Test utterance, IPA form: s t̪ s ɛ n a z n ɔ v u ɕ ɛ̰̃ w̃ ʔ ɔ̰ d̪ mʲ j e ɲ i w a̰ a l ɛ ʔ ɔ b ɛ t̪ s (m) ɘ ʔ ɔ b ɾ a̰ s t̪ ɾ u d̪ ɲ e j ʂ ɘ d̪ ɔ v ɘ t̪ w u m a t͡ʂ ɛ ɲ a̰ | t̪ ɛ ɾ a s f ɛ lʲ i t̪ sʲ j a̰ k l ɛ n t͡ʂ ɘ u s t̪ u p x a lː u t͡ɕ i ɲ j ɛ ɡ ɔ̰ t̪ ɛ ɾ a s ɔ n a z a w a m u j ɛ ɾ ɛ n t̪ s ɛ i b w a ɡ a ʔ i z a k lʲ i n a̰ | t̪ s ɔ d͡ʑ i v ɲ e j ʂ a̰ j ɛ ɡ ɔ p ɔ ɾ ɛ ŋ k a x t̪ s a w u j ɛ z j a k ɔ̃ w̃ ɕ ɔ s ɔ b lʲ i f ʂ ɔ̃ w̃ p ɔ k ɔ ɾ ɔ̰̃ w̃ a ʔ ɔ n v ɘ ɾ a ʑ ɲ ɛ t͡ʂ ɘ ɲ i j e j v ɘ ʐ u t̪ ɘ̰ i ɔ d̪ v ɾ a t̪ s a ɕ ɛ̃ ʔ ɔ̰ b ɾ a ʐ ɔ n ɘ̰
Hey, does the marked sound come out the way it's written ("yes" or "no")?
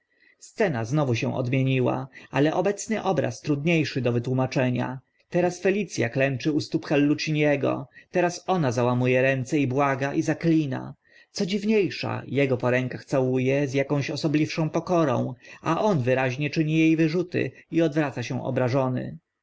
no